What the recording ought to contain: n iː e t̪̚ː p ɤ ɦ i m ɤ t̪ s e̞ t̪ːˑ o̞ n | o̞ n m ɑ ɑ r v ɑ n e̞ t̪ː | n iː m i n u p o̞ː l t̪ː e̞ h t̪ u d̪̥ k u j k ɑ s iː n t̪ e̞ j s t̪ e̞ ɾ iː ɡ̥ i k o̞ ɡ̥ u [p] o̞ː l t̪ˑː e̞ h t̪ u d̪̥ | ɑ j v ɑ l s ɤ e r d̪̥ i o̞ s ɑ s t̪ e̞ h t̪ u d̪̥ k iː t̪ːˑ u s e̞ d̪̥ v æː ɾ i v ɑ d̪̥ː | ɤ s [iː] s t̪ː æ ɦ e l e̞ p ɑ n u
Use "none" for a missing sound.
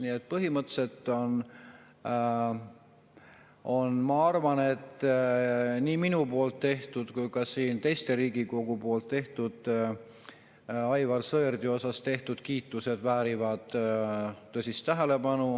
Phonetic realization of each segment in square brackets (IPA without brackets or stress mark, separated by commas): p, i